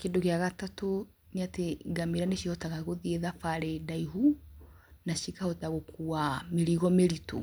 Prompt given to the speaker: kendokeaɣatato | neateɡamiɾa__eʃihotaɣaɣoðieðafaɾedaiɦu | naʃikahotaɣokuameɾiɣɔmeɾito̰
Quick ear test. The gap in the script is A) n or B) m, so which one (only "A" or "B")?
A